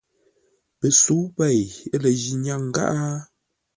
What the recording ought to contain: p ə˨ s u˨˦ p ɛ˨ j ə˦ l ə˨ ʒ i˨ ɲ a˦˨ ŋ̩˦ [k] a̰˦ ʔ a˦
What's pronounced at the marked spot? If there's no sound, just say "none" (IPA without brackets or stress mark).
ɡ